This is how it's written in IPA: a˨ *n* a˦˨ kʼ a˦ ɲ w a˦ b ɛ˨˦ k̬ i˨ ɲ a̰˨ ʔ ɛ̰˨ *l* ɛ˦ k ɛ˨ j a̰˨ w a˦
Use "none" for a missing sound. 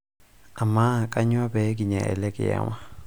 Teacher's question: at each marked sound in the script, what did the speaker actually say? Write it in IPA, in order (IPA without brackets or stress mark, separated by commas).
m, l